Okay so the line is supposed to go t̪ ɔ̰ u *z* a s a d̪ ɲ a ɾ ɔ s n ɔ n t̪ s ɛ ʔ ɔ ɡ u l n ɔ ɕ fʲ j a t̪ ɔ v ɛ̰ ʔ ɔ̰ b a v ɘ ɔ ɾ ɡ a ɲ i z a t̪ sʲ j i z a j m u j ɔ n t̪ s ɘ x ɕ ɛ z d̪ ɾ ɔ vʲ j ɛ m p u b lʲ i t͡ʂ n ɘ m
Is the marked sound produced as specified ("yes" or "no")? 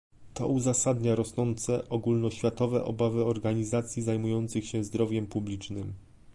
yes